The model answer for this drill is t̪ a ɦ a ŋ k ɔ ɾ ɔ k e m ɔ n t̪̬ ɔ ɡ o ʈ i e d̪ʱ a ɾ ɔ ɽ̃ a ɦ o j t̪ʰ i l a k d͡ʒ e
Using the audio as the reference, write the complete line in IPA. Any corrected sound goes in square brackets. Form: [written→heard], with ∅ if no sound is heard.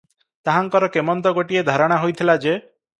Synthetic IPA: t̪ a ɦ a ŋ k ɔ ɾ ɔ k e m ɔ n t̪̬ ɔ ɡ o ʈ i e d̪ʱ a ɾ ɔ ɽ̃ a ɦ o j t̪ʰ i l a [k→∅] d͡ʒ e